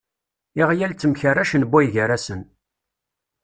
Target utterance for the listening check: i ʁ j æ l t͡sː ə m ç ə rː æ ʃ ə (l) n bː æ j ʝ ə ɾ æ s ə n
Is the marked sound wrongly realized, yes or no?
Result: yes